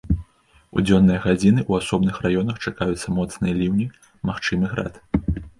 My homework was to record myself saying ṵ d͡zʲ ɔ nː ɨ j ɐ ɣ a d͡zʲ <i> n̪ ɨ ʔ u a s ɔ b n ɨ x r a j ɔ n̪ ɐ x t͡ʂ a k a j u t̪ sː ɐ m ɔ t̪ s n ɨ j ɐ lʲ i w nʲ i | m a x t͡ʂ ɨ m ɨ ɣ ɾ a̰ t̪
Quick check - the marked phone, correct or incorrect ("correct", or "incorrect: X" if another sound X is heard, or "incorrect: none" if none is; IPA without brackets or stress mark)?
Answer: correct